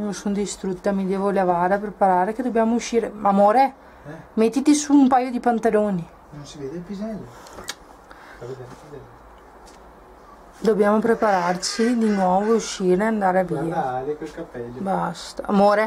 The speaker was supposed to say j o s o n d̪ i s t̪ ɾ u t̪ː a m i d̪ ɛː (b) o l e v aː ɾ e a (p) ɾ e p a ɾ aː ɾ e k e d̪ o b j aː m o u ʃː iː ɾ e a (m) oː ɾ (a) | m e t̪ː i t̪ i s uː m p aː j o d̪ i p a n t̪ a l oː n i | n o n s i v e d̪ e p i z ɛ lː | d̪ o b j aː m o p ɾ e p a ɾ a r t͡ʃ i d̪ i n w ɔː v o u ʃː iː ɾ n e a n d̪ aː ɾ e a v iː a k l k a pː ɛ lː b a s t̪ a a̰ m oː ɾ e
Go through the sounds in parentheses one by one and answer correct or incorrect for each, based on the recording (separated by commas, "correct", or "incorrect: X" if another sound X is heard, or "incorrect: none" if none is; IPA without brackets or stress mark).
incorrect: v, correct, correct, incorrect: e